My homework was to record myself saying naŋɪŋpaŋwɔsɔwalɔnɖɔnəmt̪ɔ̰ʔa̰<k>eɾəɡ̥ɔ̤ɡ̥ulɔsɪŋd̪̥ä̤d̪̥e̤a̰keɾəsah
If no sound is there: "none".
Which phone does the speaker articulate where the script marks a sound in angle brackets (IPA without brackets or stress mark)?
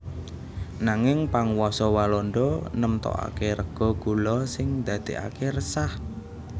k